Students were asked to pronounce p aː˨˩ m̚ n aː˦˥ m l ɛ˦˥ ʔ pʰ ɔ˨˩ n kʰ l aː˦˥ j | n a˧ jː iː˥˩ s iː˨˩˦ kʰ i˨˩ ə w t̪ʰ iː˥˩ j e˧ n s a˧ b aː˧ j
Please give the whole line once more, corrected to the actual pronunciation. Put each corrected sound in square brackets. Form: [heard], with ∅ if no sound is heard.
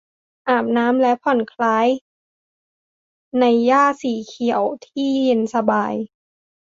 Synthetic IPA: [ʔ] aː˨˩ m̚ n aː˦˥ m l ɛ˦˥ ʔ pʰ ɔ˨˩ n kʰ l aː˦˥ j | n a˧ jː [aː˥˩] s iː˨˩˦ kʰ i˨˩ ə w t̪ʰ iː˥˩ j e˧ n s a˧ b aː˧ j